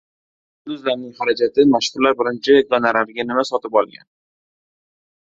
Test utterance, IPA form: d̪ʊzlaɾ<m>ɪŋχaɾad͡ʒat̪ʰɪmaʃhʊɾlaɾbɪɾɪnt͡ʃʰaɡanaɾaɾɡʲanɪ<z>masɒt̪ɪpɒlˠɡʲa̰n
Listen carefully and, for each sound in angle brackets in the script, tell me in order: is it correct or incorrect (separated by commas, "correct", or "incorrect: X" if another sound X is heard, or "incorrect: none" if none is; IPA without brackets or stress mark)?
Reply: incorrect: n, incorrect: none